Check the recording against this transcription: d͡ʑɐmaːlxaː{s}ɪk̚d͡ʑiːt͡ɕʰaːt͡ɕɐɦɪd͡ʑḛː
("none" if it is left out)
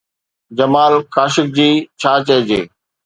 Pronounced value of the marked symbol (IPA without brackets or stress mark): ʃ